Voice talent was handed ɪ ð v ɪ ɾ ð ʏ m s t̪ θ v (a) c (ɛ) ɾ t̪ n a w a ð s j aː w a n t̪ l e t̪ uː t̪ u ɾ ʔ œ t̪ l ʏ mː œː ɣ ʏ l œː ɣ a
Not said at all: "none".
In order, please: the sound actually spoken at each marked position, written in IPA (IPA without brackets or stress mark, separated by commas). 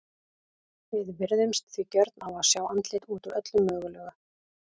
i, œ